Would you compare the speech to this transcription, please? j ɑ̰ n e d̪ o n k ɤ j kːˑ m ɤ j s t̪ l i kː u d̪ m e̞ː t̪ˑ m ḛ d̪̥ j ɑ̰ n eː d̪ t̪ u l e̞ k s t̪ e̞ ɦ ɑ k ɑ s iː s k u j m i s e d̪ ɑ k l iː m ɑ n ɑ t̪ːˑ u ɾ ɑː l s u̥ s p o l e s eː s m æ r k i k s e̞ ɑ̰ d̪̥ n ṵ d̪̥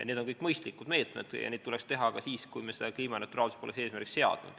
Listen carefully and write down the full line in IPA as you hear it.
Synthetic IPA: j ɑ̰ n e d̪ o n k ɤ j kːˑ m ɤ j s t̪ l i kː u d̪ m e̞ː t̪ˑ m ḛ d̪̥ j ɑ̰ n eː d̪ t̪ u l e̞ k s t̪ e̞ ɦ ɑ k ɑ s iː s k u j m e s e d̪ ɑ k l iː m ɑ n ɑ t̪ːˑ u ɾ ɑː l s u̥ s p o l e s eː s m æ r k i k s e̞ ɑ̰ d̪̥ n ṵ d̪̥